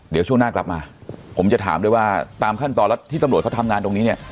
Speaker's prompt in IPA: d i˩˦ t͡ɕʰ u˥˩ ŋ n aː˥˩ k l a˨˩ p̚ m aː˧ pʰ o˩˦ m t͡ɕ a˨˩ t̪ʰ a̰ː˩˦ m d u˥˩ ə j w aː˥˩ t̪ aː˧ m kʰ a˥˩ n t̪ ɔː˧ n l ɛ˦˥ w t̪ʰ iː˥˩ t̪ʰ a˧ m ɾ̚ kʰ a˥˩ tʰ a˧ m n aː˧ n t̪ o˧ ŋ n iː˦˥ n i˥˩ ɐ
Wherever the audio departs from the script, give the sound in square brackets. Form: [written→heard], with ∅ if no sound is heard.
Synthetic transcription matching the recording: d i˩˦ t͡ɕʰ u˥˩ ŋ n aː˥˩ k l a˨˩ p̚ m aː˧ pʰ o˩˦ m t͡ɕ a˨˩ t̪ʰ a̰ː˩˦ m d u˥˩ ə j w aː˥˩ t̪ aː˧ m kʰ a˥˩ n t̪ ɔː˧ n l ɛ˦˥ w t̪ʰ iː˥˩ [t̪ʰ→t̪] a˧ m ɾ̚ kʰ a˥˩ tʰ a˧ m [n→ŋ] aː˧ n t̪ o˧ ŋ n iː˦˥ n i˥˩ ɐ